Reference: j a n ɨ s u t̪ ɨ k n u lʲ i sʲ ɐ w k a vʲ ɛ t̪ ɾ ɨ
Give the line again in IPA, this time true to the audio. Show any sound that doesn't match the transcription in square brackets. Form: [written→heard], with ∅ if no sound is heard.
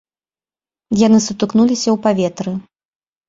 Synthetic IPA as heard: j a n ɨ s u t̪ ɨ k n u lʲ i sʲ ɐ w [k→p] a vʲ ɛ t̪ ɾ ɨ